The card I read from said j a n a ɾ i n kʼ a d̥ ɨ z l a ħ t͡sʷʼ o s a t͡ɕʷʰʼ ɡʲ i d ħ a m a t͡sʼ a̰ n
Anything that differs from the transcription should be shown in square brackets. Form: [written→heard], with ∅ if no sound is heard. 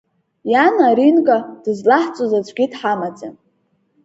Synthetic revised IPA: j a n a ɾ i n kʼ a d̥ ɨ z l a ħ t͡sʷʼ o [s→z] a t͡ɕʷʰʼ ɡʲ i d ħ a m a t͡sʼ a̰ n